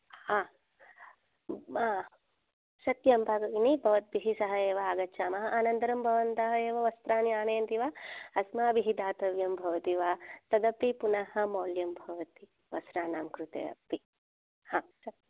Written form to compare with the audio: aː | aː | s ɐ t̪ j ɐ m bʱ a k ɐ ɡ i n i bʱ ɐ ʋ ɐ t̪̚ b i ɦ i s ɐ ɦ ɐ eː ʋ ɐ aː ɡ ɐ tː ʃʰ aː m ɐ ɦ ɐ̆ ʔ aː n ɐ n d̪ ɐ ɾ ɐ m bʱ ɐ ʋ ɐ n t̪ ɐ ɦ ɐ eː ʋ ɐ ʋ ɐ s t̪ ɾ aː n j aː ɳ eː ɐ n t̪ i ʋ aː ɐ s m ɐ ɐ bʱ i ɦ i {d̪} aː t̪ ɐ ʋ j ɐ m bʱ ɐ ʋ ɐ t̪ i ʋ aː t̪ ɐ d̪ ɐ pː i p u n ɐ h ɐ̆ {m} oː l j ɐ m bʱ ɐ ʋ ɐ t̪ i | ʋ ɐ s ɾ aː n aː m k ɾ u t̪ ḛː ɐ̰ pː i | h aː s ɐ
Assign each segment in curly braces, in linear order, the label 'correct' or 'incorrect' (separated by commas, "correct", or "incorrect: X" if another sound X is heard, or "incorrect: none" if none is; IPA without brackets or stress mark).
correct, correct